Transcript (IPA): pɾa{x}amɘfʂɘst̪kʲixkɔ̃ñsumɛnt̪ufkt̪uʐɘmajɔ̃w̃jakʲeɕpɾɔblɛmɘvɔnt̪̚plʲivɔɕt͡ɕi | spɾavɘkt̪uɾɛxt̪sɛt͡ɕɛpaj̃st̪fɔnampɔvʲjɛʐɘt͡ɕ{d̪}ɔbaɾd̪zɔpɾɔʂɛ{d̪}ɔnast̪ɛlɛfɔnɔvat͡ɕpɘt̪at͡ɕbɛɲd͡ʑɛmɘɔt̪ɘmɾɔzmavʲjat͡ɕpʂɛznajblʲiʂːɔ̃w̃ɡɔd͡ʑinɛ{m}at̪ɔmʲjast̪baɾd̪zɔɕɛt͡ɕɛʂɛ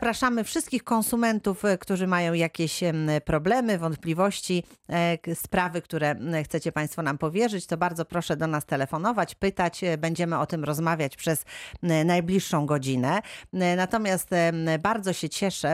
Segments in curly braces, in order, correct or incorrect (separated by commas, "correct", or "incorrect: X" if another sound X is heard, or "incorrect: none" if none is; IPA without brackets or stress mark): incorrect: ʂ, incorrect: t̪, correct, incorrect: n